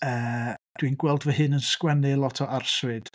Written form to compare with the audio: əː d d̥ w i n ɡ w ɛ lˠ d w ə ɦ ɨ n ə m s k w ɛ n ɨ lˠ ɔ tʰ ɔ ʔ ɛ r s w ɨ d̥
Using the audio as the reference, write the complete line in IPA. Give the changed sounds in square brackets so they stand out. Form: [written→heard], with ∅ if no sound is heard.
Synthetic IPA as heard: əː d d̥ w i n ɡ w ɛ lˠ d [w→v] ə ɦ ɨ n ə [m→n] s k w ɛ n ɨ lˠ ɔ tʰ ɔ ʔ [ɛ→a] r s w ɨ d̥